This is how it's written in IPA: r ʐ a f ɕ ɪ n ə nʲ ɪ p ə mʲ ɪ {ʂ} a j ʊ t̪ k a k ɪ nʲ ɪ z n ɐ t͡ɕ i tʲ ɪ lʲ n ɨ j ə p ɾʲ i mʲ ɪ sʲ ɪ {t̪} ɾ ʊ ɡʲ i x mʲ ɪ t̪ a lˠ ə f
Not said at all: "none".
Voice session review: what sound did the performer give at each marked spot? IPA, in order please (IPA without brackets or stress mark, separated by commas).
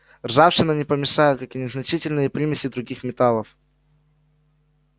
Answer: ʂ, d̪